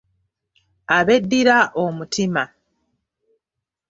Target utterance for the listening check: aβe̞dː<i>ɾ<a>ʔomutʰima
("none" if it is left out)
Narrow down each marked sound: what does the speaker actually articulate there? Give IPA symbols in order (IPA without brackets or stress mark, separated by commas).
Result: i, a